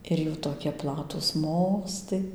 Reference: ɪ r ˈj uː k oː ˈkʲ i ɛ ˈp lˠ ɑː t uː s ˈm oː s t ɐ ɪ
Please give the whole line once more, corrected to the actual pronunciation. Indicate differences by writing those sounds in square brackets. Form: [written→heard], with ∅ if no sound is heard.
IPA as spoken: ɪ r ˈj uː [k→t] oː ˈkʲ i ɛ ˈp lˠ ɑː t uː s ˈm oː s t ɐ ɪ